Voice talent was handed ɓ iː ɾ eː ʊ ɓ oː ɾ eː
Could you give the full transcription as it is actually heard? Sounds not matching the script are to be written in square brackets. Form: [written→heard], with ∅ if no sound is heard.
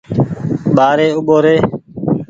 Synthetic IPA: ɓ [iː→aː] ɾ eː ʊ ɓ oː ɾ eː